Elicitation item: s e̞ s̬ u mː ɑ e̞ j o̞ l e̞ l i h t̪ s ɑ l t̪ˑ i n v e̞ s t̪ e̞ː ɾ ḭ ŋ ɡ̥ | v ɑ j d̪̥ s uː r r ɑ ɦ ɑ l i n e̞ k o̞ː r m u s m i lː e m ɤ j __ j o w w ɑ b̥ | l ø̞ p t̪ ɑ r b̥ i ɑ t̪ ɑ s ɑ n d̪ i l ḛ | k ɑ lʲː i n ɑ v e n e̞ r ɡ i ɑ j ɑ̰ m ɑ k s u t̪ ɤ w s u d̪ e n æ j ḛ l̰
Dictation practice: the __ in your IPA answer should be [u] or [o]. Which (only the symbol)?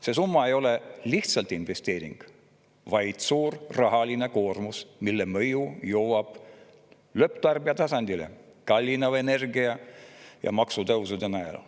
u